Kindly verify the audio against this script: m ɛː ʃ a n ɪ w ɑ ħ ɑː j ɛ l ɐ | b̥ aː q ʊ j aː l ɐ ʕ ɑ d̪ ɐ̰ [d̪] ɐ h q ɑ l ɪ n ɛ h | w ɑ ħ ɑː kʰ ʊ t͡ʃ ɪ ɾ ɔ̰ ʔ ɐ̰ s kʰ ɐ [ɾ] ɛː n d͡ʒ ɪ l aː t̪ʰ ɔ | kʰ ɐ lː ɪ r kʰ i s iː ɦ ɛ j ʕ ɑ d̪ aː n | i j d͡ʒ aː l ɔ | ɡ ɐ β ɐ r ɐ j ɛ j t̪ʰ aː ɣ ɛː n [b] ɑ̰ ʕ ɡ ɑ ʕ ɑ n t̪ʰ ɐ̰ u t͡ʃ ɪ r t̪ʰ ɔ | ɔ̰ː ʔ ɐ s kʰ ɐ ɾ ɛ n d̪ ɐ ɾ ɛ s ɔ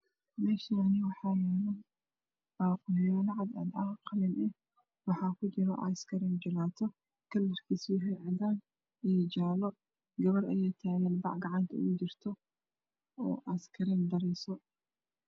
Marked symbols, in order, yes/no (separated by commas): yes, yes, yes